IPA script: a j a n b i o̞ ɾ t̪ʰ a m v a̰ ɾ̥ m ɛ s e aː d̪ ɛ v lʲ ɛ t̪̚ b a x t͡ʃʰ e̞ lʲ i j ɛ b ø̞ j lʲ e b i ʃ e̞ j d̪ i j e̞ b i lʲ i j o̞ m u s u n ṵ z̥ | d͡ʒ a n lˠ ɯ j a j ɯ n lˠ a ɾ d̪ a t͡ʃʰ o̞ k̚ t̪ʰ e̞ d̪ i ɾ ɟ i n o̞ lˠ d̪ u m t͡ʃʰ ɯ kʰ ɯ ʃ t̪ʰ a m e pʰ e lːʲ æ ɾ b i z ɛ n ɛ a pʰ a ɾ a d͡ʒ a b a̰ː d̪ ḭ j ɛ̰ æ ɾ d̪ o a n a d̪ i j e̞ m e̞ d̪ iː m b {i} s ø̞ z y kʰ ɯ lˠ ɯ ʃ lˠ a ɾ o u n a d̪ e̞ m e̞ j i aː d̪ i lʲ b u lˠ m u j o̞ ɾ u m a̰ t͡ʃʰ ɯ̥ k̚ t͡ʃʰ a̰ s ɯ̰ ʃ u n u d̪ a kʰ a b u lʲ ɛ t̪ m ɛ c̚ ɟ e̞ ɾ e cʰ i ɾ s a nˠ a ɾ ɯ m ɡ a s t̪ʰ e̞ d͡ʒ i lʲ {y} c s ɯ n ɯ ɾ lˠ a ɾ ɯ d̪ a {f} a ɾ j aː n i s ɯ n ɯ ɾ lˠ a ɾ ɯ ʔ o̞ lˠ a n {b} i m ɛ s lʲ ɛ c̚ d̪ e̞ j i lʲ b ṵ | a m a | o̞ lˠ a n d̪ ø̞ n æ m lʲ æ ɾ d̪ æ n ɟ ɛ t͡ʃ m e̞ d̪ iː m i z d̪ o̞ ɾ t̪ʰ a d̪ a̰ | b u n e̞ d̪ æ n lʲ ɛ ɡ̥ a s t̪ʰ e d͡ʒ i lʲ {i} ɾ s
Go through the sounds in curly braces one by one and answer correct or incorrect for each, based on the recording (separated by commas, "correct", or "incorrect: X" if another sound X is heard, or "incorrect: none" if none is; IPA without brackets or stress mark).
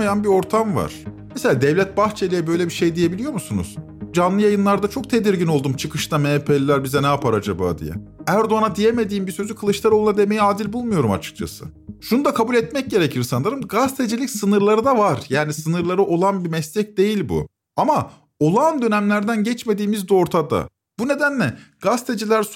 correct, incorrect: i, incorrect: v, correct, incorrect: æ